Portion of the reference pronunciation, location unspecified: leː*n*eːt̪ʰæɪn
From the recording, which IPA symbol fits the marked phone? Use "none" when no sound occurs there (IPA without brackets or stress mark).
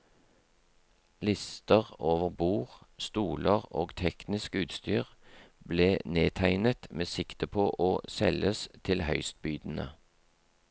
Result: n